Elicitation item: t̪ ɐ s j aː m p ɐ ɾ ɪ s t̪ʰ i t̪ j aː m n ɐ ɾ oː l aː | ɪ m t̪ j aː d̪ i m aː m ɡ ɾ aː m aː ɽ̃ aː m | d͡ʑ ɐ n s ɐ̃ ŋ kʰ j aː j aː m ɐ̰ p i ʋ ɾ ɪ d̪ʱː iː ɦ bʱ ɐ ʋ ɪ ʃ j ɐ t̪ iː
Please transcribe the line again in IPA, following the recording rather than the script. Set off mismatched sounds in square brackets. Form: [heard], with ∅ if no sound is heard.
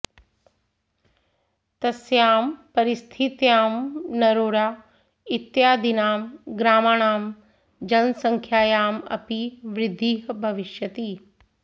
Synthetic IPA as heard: t̪ ɐ s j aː m p ɐ ɾ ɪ s t̪ʰ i t̪ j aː m n ɐ ɾ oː [ɽ] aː | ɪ [∅] t̪ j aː d̪ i [n] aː m ɡ ɾ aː m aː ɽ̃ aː m | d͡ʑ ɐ n s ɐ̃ ŋ kʰ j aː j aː m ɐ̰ p i ʋ ɾ ɪ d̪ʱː iː ɦ bʱ ɐ ʋ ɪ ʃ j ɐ t̪ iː